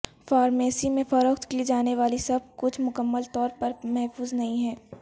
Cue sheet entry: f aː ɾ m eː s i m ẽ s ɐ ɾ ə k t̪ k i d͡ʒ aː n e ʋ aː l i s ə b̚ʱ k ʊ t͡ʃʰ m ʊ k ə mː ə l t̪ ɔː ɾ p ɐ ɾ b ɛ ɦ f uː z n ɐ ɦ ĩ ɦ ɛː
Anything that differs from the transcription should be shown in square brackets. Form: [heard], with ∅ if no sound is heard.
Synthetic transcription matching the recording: f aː ɾ m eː s i m ẽ [f] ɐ ɾ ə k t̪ k i d͡ʒ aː n e ʋ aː l i s [ɐ] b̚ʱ k ʊ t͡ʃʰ m ʊ k ə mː ə l t̪ ɔː ɾ p ɐ ɾ [m] ɛ ɦ f uː z n ɐ ɦ ĩ ɦ ɛː